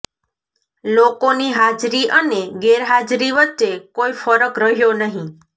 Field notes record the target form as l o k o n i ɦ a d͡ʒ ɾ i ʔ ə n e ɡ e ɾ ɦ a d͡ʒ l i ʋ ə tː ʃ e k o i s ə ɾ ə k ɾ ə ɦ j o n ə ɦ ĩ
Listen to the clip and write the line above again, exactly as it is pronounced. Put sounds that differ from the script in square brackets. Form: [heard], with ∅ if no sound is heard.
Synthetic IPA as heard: l o k o n i ɦ a d͡ʒ ɾ i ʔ ə n e ɡ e ɾ ɦ a d͡ʒ [ɾ] i ʋ ə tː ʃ e k o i [f] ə ɾ ə k ɾ ə ɦ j o n ə ɦ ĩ